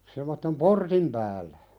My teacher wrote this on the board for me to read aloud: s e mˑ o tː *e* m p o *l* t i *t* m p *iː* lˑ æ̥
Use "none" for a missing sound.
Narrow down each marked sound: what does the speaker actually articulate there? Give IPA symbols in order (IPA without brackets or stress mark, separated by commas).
e, r, none, æː